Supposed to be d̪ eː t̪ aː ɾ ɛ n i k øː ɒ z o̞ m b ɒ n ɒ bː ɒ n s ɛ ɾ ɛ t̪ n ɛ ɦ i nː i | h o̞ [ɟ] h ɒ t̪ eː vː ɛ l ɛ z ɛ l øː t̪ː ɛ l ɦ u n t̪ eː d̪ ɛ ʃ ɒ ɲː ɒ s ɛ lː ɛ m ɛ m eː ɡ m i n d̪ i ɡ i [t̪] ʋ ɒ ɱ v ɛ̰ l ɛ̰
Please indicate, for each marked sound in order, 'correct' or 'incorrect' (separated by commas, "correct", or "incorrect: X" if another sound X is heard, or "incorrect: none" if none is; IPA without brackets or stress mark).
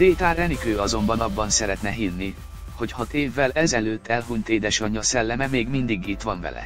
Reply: incorrect: c, correct